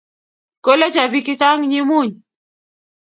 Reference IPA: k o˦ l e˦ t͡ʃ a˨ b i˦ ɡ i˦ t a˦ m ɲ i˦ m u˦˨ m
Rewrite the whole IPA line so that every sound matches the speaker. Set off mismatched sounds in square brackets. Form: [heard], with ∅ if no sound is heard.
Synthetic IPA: k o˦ l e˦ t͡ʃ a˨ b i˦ [k] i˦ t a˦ [ŋ] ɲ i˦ m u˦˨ [ɲ]